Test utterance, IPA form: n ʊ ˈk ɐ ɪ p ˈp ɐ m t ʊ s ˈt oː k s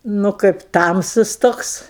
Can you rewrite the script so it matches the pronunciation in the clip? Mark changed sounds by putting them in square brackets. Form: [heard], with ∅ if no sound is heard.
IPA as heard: n ʊ ˈk ɐ ɪ p [ˈt] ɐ m [s] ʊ s ˈt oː k s